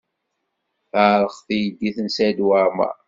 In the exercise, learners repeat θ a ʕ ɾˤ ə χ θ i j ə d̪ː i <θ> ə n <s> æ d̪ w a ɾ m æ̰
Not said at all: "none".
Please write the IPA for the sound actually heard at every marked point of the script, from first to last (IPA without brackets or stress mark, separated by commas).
θ, s